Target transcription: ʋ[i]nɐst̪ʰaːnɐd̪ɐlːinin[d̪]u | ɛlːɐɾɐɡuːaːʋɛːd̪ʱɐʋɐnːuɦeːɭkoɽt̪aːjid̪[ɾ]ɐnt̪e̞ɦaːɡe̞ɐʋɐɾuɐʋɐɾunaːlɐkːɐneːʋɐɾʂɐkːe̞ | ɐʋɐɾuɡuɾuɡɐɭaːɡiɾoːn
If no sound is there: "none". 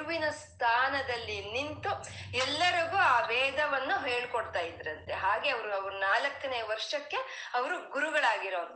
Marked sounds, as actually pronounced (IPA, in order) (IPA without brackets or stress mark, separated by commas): i, t̪, ɾ